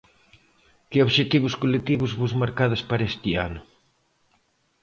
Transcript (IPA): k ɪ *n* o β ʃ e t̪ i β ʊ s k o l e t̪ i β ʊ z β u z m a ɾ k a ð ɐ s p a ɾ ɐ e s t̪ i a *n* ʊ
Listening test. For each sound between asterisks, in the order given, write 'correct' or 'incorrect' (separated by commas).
incorrect, correct